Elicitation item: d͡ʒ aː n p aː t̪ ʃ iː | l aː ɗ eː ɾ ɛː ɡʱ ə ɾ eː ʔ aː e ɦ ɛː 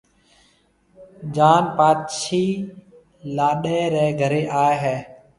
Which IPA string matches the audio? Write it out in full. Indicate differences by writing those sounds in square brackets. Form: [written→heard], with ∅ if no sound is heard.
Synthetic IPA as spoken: d͡ʒ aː n p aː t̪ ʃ iː | l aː ɗ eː ɾ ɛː ɡʱ ə ɾ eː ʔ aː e ɦ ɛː